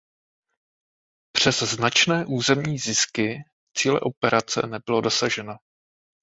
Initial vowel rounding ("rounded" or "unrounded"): unrounded